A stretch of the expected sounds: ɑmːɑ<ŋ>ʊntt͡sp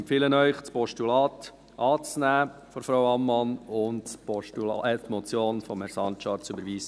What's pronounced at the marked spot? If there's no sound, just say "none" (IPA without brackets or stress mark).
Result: n